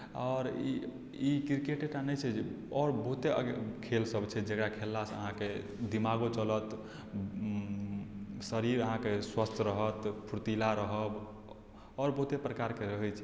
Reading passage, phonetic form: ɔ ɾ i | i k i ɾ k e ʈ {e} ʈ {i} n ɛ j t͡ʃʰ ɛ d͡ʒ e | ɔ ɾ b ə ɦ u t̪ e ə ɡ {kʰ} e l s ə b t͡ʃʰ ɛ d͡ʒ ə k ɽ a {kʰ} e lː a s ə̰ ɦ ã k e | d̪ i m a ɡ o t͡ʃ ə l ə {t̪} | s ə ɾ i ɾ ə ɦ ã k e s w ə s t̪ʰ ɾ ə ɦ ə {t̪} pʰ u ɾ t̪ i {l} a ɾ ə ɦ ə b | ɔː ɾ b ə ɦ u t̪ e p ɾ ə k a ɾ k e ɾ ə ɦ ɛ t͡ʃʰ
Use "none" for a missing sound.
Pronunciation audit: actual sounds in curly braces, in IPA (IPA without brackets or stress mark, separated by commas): e, a, kʰ, kʰ, t̪, t̪, l